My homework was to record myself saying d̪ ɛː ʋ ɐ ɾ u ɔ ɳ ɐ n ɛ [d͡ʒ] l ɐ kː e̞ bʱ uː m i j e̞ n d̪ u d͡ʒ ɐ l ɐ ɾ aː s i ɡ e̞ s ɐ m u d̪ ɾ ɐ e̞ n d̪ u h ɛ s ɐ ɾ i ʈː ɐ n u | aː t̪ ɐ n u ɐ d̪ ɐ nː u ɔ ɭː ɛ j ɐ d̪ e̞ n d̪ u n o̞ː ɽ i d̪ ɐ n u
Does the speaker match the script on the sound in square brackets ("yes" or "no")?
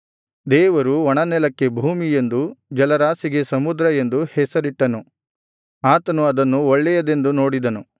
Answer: no